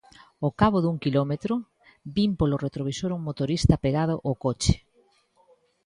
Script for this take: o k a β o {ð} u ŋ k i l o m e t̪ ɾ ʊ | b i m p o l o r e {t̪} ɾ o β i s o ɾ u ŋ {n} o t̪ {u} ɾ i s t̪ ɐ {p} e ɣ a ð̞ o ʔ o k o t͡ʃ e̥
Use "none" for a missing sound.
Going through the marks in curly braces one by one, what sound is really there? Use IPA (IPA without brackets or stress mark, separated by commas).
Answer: ð, t̪, m, o, p